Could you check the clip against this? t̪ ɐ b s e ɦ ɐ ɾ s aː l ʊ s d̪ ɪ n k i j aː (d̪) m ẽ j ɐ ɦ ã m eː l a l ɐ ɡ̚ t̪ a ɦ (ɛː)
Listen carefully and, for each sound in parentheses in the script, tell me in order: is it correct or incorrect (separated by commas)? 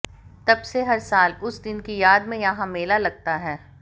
correct, correct